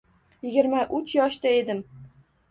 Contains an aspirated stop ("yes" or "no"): no